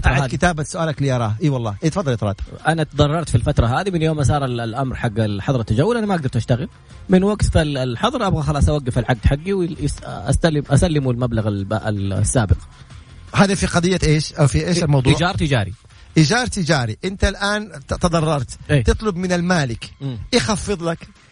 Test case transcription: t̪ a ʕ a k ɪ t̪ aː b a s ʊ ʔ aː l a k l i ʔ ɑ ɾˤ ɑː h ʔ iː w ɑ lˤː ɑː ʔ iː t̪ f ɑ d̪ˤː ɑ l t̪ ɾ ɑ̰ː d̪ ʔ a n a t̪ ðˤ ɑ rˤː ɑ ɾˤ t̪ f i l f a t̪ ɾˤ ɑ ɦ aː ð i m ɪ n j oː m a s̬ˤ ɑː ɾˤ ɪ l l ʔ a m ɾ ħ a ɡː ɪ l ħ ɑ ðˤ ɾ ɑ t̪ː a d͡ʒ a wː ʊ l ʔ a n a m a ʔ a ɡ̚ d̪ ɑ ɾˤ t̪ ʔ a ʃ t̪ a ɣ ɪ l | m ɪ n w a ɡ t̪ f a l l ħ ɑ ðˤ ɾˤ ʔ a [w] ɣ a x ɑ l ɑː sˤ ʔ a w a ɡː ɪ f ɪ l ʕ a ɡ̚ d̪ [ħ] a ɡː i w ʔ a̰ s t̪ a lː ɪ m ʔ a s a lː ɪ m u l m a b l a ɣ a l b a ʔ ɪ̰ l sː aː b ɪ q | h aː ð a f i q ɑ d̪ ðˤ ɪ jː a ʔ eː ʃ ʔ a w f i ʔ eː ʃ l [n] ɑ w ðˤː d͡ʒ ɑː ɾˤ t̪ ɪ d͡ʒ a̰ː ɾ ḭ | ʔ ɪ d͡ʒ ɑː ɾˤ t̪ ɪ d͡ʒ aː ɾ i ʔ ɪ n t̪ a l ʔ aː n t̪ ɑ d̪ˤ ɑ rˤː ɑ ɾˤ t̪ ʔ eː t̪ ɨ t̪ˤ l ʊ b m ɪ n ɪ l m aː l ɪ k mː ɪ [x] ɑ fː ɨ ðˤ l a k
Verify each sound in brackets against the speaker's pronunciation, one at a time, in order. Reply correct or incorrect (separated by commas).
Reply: incorrect, correct, incorrect, correct